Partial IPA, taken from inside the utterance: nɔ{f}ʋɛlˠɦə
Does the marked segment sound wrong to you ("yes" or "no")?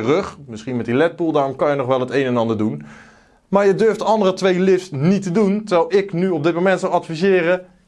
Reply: yes